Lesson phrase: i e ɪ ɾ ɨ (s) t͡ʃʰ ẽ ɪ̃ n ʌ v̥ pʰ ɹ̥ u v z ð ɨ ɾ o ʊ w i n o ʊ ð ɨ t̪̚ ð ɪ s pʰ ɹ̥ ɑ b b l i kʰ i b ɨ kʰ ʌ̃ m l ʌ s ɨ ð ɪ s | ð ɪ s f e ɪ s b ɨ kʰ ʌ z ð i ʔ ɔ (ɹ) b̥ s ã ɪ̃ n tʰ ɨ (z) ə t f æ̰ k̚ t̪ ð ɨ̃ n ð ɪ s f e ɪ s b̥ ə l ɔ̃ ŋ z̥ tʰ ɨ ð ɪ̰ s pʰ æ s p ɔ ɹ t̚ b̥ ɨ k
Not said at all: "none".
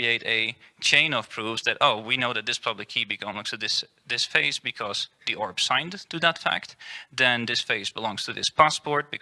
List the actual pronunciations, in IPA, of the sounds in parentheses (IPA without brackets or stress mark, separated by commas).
none, ɹ, ð